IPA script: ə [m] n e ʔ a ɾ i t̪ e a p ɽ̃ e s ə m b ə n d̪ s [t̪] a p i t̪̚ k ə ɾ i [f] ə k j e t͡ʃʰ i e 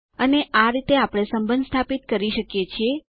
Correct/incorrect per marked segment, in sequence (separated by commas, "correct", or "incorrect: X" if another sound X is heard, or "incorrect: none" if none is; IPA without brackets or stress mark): incorrect: none, incorrect: t̪ʰ, incorrect: ʃ